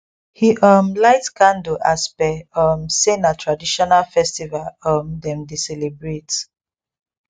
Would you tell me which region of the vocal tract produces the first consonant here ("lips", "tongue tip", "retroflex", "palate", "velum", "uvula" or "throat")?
throat